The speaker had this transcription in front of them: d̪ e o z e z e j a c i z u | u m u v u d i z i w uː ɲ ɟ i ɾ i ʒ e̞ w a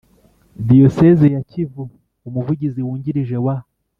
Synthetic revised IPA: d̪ i o s e z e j a c i v u | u m u v u ɟ i z i w uː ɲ ɟ i ɾ i ʒ e̞ w a